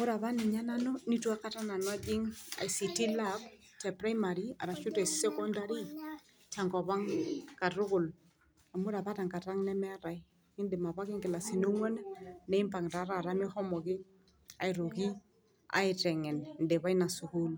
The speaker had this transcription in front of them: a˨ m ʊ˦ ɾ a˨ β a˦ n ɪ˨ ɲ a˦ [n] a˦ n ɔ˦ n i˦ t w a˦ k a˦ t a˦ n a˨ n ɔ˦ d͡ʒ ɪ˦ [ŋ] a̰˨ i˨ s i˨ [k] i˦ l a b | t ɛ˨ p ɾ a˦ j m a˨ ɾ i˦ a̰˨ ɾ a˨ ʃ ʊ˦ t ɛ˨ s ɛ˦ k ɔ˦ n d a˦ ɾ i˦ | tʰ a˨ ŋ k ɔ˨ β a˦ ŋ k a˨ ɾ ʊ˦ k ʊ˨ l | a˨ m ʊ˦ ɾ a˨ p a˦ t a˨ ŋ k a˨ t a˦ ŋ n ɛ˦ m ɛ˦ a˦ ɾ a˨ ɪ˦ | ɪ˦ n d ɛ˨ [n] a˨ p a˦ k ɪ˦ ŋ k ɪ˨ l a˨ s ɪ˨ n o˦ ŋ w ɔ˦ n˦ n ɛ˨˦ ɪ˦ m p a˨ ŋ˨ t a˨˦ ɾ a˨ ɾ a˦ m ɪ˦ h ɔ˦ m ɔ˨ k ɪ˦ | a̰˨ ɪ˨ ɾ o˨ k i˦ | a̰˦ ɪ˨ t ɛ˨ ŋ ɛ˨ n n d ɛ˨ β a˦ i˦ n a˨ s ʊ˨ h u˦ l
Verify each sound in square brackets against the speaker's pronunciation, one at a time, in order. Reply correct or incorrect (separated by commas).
correct, correct, incorrect, incorrect